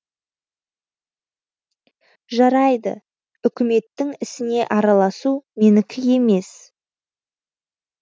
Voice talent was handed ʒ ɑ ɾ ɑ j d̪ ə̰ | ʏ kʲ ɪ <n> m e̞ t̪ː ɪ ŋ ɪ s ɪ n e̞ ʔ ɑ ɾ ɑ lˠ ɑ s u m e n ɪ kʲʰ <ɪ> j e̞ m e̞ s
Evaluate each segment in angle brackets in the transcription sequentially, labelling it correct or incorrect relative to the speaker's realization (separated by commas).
incorrect, correct